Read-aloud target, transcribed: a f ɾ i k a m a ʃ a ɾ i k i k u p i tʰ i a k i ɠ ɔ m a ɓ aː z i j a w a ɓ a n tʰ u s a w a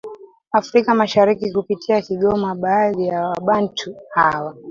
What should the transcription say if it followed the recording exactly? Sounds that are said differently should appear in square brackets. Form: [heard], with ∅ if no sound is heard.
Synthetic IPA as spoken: a f ɾ i k a m a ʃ a ɾ i k i k u p i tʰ i a k i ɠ ɔ m a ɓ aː [ð] i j a w a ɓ a n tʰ u [h] a w a